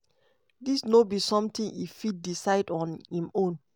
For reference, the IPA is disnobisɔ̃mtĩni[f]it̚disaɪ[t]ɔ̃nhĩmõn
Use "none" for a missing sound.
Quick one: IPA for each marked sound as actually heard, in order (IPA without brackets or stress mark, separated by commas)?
f, d